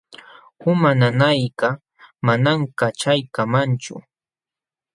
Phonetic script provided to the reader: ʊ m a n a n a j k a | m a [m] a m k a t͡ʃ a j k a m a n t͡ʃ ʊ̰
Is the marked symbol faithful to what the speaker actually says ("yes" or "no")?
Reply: no